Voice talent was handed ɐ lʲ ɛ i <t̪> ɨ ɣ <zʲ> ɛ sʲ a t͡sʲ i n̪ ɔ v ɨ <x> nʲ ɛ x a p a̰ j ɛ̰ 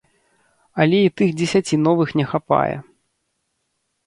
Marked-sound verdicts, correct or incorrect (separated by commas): correct, incorrect, correct